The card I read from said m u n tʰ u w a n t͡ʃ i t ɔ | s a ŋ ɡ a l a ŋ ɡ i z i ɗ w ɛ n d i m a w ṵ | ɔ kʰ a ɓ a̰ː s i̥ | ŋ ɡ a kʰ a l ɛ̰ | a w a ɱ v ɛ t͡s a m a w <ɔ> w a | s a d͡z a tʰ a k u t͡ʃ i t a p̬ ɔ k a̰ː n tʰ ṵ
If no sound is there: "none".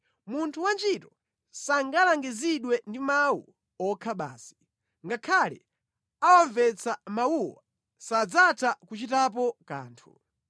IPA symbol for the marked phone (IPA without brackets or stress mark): u